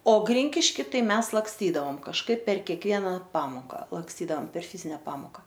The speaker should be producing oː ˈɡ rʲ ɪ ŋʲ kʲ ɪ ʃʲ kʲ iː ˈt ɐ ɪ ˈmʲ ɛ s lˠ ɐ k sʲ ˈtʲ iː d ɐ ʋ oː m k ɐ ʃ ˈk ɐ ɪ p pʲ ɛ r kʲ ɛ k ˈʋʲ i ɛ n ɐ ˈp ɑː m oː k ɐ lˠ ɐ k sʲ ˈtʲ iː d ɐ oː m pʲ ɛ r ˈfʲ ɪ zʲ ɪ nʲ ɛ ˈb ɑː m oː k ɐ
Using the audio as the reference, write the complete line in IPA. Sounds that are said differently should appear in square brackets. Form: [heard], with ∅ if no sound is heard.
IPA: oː ˈɡ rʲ ɪ ŋʲ kʲ ɪ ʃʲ kʲ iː ˈt ɐ ɪ ˈmʲ ɛ s lˠ ɐ k sʲ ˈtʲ iː d ɐ ʋ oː m k ɐ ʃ ˈk ɐ ɪ p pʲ ɛ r kʲ ɛ k ˈʋʲ i ɛ n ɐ ˈp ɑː m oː k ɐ lˠ ɐ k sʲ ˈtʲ iː d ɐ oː m pʲ ɛ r ˈfʲ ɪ zʲ ɪ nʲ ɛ [ˈp] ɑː m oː k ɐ